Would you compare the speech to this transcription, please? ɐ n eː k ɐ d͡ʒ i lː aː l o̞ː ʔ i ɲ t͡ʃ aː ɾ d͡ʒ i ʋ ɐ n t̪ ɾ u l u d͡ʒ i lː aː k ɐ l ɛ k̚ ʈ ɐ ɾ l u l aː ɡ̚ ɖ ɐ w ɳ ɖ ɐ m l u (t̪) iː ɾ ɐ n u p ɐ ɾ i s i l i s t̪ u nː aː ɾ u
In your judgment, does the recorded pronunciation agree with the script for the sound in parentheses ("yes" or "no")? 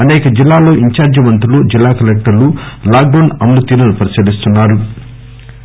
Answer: yes